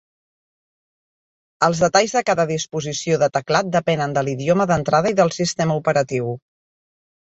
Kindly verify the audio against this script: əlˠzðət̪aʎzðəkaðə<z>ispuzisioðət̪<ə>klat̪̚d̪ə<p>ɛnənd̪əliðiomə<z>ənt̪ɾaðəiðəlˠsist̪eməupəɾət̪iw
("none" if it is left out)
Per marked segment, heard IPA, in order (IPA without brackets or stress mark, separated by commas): ð, ə, p, ð